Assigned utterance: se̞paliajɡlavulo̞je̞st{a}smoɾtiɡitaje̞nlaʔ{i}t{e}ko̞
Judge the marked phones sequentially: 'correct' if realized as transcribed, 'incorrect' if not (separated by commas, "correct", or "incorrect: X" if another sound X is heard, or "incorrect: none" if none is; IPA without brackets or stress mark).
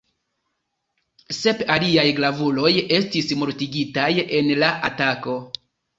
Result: incorrect: i, incorrect: a, incorrect: a